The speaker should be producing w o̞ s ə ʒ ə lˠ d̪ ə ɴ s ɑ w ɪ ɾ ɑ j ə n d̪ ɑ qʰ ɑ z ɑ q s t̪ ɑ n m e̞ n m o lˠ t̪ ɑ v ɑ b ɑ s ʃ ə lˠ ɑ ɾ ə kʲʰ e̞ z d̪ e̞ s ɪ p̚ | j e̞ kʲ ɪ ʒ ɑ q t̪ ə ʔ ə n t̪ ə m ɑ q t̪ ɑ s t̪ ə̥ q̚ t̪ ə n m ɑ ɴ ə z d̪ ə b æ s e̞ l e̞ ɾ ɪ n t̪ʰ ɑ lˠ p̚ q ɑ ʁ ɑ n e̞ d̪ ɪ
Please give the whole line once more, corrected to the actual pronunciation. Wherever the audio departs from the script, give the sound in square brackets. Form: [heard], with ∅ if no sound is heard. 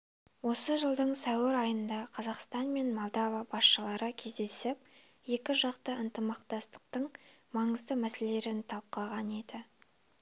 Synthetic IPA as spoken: w o̞ s ə ʒ ə lˠ d̪ ə ɴ s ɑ w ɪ ɾ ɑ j ə n d̪ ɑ qʰ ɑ z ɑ q s t̪ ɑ n m e̞ n m o lˠ [d̪] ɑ v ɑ b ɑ s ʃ ə lˠ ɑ ɾ ə kʲʰ e̞ z d̪ e̞ s ɪ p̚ | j e̞ kʲ ɪ ʒ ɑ q t̪ ə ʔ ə n t̪ ə m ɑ q t̪ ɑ s t̪ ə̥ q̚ t̪ ə [ɴ] m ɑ ɴ ə z d̪ ə [m] æ s e̞ l e̞ ɾ ɪ n t̪ʰ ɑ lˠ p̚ q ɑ ʁ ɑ n e̞ d̪ ɪ